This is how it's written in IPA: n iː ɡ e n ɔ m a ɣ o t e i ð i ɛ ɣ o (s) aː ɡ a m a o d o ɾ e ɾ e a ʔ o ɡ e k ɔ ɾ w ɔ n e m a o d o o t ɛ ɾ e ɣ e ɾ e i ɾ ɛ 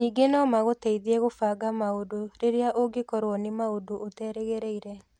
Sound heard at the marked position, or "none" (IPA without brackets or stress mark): f